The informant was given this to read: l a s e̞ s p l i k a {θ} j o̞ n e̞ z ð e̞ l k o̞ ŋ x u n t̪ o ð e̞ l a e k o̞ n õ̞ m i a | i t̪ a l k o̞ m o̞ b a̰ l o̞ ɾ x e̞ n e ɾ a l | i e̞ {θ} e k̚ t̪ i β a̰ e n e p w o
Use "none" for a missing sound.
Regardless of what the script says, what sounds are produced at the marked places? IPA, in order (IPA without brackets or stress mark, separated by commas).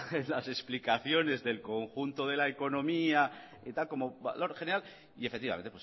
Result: θ, f